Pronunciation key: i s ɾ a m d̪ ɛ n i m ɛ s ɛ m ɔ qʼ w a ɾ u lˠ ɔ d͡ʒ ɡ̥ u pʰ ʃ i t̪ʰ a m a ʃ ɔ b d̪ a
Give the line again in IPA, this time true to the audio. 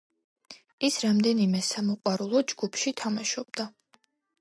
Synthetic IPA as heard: i s ɾ a m d̪ ɛ n i m ɛ s a m ɔ qʼ w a ɾ u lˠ ɔ d͡ʒ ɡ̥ u pʰ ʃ i t̪ʰ a m a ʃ ɔ b d̪ a